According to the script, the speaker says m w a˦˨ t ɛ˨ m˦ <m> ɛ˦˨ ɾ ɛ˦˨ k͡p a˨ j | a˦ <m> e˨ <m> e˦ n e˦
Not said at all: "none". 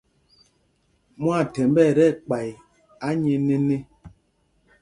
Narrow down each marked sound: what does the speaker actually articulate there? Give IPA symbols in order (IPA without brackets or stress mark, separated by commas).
b, ɲ, n